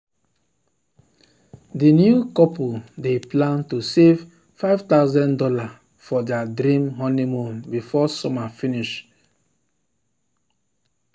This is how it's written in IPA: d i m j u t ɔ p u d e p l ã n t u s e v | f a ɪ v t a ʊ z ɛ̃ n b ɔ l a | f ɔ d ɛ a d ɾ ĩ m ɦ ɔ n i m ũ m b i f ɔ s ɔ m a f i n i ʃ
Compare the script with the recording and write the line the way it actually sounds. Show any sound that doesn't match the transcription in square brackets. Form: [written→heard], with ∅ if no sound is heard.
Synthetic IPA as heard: d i [m→n] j u [t→k] ɔ p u d e p l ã n t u s e v | f a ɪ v t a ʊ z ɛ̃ n [b→d] ɔ l a | f ɔ d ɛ a d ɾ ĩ m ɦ ɔ n i m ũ m b i f ɔ s ɔ m a f i n i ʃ